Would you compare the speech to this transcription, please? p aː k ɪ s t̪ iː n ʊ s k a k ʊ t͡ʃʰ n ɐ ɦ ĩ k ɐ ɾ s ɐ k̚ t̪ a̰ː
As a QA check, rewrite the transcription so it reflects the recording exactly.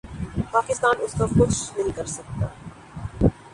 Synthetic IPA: p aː k ɪ s t̪ aː n ʊ s k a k ʊ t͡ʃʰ n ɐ ɦ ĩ k ɐ ɾ s ɐ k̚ t̪ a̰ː